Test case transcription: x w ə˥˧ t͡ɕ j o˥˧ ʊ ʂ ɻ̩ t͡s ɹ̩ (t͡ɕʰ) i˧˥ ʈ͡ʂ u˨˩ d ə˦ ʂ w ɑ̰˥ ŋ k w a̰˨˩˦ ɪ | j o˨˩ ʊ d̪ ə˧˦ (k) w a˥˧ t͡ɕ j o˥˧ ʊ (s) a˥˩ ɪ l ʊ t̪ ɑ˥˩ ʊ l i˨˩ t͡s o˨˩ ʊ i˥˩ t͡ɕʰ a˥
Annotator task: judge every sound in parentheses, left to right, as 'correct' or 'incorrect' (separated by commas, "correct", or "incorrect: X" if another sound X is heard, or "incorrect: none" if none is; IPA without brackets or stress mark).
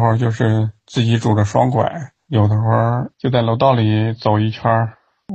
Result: incorrect: t͡ɕ, incorrect: x, incorrect: t͡s